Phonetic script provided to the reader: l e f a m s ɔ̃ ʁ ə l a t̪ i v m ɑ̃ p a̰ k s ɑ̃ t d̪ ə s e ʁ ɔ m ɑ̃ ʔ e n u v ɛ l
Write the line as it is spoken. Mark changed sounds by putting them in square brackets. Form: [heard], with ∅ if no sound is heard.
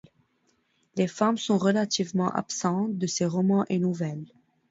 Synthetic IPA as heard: l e f a m s ɔ̃ ʁ ə l a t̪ i v m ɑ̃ [ʔ] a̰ [p] s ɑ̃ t d̪ ə s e ʁ ɔ m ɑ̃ ʔ e n u v ɛ l